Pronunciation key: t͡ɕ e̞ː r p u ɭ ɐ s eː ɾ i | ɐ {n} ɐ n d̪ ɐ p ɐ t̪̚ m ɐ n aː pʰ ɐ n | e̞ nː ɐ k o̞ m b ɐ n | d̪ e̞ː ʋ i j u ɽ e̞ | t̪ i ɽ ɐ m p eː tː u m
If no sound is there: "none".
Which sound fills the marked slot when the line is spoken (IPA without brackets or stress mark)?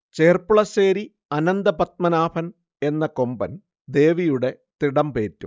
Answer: n